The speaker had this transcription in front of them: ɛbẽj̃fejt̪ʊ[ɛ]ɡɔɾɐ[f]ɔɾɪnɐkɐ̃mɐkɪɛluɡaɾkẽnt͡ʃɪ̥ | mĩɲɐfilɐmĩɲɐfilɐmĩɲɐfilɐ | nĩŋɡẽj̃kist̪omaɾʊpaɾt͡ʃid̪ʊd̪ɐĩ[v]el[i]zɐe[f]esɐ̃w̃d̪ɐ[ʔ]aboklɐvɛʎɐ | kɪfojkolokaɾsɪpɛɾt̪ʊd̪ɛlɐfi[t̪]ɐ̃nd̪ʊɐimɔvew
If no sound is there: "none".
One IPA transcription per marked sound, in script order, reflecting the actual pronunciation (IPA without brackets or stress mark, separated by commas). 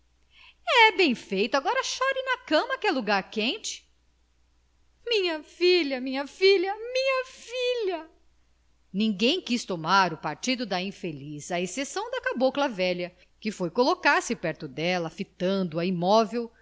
a, ʃ, f, i, s, k, t̪